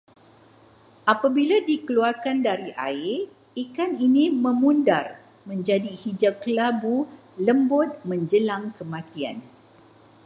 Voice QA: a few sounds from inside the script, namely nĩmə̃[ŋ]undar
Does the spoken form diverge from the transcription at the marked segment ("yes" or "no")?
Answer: yes